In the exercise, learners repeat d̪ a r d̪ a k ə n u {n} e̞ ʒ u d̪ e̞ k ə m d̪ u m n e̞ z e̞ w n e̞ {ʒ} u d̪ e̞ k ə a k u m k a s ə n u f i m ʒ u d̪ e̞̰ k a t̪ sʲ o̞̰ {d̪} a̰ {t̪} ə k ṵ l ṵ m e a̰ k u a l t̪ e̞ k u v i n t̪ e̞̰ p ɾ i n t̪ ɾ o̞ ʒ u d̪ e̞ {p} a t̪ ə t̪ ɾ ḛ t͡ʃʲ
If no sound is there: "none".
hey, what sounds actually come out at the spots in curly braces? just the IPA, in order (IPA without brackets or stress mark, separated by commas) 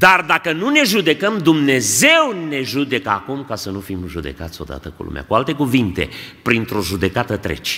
n, ʒ, d̪, t̪, k